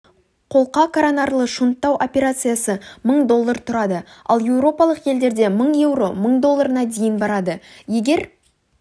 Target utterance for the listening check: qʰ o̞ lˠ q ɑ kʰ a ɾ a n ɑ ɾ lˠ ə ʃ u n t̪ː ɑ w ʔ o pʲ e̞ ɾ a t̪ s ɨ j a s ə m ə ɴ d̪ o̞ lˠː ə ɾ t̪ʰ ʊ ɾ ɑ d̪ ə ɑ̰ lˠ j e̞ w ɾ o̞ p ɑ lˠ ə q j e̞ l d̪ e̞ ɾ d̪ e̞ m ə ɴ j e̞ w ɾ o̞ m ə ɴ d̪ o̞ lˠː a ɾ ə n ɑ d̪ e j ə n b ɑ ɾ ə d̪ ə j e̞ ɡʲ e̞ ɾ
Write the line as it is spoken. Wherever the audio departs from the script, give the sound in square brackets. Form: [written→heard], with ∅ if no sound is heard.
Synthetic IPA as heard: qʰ o̞ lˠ q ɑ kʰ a ɾ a n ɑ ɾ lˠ ə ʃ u n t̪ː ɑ w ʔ o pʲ e̞ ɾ a t̪ s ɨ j a s ə m ə ɴ d̪ o̞ lˠː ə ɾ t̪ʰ ʊ ɾ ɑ d̪ ə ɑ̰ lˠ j e̞ w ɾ o̞ p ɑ lˠ ə q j e̞ l d̪ e̞ ɾ d̪ e̞ m ə ɴ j e̞ w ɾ o̞ m ə ɴ d̪ o̞ lˠː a ɾ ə n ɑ d̪ e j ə n b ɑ ɾ [ə→ɑ] d̪ ə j e̞ ɡʲ e̞ ɾ